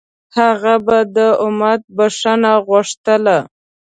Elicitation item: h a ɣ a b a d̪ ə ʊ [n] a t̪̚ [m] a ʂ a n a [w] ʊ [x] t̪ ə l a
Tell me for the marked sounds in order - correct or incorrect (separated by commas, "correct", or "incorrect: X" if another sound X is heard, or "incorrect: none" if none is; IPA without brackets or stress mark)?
incorrect: m, incorrect: b, incorrect: ɣ, incorrect: ʂ